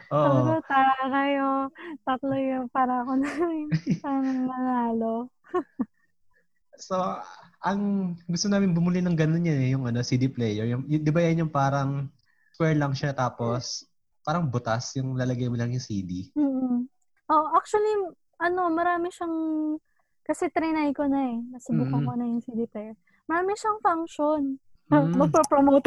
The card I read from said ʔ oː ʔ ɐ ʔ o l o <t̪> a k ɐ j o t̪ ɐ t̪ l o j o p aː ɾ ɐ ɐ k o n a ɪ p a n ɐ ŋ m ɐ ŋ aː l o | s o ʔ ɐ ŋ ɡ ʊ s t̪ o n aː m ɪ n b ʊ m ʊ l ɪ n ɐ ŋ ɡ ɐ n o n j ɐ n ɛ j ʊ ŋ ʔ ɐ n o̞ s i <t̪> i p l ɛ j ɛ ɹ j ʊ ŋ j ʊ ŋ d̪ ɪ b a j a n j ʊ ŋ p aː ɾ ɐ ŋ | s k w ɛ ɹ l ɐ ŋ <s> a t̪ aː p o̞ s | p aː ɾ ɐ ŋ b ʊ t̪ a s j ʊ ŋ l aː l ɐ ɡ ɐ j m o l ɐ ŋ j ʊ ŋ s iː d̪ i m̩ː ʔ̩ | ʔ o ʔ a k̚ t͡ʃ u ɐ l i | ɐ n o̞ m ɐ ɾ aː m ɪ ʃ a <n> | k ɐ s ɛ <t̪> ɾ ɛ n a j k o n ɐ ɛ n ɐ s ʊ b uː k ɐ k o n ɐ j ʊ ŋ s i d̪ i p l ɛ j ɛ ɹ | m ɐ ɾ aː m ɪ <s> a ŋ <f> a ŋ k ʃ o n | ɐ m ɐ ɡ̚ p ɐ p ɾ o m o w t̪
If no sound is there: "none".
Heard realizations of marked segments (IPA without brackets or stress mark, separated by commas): t̪, d̪, ʃ, ŋ, t̪, ʃ, f